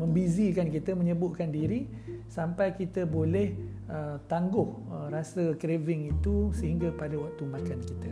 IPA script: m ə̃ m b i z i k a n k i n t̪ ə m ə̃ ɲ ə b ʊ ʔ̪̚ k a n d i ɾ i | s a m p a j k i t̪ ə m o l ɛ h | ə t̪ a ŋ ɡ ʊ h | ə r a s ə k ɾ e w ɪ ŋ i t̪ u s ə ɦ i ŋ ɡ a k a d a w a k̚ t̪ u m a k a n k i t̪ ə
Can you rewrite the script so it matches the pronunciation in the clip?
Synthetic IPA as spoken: m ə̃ m b i z i k a n k i t̪ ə m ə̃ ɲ ə b ʊ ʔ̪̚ k a n d i ɾ i | s a m p a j k i t̪ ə b o l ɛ h | ə t̪ a ŋ ɡ ʊ h | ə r a s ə k ɾ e v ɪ ŋ i t̪ u s ə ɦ i ŋ ɡ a p a d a w a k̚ t̪ u m a k a n k i t̪ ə